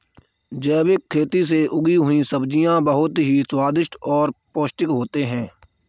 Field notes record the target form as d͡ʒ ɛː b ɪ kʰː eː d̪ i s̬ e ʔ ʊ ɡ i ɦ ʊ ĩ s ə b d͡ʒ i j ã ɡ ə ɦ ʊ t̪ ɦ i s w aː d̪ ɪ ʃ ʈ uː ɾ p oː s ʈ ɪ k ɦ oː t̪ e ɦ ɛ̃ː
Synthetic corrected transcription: d͡ʒ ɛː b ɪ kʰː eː t̪ i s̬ e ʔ ʊ ɡ i ɦ ʊ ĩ s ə b d͡ʒ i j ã b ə ɦ ʊ t̪ ɦ i s w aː d̪ ɪ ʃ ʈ ɔː ɾ p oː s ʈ ɪ k ɦ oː t̪ e ɦ ɛ̃ː